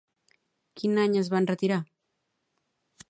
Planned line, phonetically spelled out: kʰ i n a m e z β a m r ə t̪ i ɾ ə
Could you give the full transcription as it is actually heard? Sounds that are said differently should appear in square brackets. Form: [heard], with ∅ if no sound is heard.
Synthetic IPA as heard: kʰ i n a [ɲ] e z β a [n] r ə t̪ i ɾ [a]